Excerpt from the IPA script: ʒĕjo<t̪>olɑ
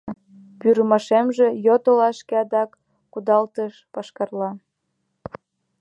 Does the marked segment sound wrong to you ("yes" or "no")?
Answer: no